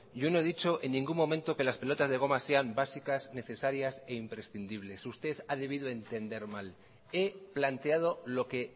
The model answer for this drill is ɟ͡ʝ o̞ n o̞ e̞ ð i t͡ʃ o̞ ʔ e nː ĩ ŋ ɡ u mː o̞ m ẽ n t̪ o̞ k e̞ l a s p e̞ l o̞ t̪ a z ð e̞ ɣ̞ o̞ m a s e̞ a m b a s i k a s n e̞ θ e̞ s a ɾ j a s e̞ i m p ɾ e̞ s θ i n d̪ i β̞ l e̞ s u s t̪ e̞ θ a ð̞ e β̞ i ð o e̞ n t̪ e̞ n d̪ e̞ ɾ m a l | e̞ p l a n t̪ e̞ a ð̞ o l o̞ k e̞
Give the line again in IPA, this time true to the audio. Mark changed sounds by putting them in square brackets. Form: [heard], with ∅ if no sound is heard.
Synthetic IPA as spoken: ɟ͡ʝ o̞ n o̞ e̞ ð i t͡ʃ o̞ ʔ e nː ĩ ŋ ɡ u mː o̞ m ẽ n t̪ o̞ k e̞ l a s p e̞ l o̞ t̪ a z ð e̞ ɣ̞ o̞ m a s e̞ a m b a s i k a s n e̞ θ e̞ s a ɾ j a s e̞ i m p ɾ e̞ s θ i n d̪ i β̞ l e̞ s u s t̪ e̞ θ a ð̞ e β̞ i ð o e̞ n t̪ e̞ n d̪ e̞ ɾ m a l | e̞ p l a n t̪ e̞ a ð̞ o l o̞ k e̞